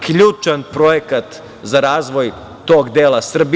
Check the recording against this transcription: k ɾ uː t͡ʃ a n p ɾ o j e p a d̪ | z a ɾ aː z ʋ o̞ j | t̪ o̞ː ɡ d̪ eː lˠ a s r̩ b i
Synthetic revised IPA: k ʎ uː t͡ʃ a n p ɾ o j e k a t̪ | z a ɾ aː z ʋ o̞ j | t̪ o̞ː ɡ d̪ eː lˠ a s r̩ b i